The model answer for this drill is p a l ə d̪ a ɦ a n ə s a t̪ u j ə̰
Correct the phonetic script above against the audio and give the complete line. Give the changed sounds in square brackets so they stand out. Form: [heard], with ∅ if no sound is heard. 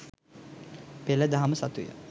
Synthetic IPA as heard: p [e] l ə d̪ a ɦ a [m] ə s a t̪ u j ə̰